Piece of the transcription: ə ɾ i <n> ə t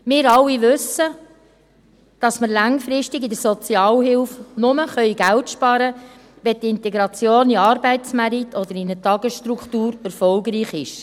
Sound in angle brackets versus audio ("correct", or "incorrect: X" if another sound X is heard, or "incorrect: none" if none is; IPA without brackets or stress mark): correct